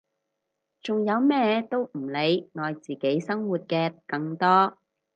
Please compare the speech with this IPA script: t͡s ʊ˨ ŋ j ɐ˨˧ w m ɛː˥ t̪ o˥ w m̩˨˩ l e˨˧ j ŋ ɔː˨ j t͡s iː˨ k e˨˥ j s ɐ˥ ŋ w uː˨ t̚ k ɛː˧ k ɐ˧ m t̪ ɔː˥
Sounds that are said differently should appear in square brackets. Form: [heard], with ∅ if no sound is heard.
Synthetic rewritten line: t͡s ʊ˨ ŋ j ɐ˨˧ w m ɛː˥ t̪ o˥ w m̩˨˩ l e˨˧ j ŋ ɔː˨ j t͡s iː˨ k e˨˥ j s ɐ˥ ŋ w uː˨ t̚ k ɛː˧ k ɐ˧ [ŋ] t̪ ɔː˥